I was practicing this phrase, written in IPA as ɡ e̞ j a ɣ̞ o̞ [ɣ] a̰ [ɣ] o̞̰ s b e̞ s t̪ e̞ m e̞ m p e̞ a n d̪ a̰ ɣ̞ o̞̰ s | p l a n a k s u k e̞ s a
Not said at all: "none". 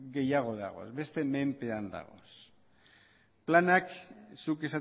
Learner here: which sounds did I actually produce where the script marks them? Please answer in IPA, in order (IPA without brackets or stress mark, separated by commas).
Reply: ð, ɣ